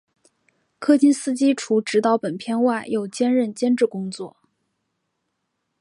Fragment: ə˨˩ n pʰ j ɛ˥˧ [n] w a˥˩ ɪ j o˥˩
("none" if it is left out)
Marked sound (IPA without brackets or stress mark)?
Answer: n